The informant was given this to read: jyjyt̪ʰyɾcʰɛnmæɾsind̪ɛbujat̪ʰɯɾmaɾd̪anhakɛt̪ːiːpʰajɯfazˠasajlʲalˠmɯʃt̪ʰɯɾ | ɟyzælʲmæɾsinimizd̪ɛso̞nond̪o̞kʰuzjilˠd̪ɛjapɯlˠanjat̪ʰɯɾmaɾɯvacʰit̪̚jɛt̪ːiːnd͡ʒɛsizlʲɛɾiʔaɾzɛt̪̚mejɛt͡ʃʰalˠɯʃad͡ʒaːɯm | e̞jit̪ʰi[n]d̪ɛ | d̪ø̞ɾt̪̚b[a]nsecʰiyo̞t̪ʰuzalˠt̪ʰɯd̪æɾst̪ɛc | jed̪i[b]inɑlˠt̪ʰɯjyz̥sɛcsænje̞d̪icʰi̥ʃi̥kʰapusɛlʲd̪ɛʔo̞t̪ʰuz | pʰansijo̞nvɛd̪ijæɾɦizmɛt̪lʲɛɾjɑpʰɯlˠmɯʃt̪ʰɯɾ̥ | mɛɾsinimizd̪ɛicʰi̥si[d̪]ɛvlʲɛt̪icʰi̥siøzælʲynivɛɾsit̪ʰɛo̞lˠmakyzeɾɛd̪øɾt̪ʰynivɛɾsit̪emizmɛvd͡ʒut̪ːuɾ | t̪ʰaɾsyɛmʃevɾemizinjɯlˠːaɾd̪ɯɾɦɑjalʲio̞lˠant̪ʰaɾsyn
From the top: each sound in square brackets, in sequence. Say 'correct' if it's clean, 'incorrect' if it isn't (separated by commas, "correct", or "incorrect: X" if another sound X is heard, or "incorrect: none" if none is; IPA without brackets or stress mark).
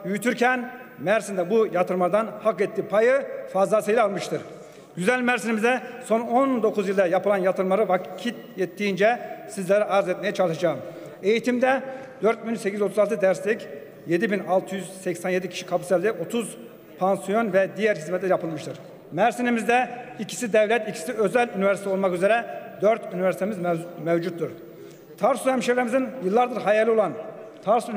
incorrect: m, incorrect: i, correct, correct